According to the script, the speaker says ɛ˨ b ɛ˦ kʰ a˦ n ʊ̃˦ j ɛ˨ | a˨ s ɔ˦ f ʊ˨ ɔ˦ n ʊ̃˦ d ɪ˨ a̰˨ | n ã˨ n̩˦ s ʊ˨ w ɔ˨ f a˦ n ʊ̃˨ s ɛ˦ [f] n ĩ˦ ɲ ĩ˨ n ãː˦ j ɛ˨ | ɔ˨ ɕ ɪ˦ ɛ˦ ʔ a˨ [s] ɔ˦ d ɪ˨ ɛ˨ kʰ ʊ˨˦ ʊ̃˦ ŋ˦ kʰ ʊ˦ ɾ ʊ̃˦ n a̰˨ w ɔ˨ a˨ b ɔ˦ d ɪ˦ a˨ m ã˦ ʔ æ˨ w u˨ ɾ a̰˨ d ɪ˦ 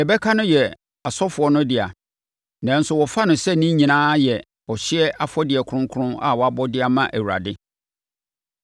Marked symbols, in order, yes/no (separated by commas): no, no